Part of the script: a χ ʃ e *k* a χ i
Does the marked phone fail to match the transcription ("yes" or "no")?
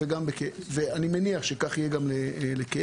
no